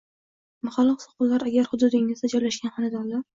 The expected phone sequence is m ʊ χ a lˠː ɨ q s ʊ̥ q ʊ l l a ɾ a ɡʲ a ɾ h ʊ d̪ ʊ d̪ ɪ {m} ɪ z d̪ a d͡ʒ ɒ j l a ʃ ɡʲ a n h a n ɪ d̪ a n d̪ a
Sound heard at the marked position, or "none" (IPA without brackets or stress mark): ŋ